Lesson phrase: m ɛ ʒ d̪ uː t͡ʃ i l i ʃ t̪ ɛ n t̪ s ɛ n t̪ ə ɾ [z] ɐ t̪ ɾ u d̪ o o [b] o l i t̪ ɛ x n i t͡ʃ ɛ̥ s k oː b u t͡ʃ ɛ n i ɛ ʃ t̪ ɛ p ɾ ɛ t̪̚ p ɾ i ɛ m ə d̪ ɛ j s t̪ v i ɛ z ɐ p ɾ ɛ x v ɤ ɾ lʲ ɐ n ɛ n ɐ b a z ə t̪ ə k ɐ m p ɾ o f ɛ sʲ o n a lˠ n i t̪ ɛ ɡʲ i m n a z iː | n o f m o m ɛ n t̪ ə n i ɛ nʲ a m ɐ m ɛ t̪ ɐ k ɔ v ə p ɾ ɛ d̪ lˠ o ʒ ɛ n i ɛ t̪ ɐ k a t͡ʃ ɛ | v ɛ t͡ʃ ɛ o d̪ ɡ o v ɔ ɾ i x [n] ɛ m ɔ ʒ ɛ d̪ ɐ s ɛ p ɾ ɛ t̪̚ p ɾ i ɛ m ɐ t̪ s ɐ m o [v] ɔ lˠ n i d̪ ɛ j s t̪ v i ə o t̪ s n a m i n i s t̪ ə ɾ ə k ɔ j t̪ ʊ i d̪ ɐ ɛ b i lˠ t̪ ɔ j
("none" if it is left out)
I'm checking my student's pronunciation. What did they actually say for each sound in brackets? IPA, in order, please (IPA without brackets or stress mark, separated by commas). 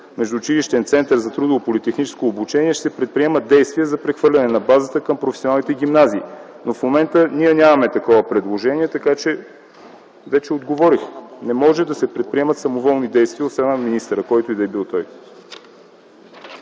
z, p, n, v